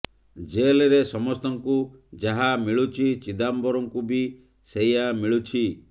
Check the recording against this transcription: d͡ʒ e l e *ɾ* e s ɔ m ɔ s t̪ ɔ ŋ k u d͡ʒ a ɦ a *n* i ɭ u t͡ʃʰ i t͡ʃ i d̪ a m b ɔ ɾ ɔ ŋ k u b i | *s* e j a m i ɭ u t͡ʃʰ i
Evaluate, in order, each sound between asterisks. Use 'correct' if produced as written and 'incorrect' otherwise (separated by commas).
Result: correct, incorrect, correct